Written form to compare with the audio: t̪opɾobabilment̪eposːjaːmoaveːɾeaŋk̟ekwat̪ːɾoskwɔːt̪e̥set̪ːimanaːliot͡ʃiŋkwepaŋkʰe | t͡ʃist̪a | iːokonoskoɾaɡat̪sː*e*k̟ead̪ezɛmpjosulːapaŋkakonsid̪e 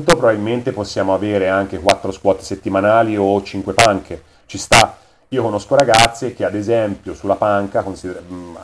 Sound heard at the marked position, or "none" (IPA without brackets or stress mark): e